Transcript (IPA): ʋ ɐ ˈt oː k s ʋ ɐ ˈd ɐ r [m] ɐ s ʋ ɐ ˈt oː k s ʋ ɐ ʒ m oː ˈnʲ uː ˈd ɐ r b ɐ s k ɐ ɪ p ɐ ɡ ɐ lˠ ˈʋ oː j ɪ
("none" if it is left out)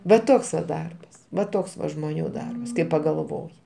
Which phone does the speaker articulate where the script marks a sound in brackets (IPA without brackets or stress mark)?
b